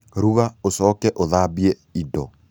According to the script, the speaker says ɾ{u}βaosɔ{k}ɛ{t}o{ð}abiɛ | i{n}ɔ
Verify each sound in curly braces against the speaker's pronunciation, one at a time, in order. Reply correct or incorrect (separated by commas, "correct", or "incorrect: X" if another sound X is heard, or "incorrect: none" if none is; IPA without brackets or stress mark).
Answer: correct, correct, incorrect: ʔ, correct, incorrect: d